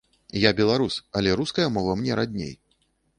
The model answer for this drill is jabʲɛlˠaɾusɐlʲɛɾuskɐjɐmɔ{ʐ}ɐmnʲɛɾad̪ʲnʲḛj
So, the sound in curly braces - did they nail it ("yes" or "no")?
no